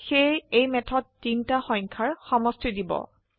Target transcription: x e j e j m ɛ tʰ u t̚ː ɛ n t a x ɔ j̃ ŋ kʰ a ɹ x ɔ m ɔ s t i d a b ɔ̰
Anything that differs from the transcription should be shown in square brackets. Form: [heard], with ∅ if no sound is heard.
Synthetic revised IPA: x e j e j m ɛ tʰ [ɔ] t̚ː [i] n t a x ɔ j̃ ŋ kʰ a ɹ x ɔ m ɔ s t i d [i] b ɔ̰